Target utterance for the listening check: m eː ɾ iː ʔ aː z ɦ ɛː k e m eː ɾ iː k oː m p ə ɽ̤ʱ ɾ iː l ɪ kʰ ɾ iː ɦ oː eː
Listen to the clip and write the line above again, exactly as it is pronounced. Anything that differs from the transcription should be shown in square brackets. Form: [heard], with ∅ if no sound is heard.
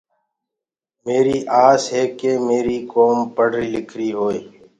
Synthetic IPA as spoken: m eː ɾ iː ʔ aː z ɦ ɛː k e m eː ɾ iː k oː m p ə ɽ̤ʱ ɾ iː l ɪ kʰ ɾ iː ɦ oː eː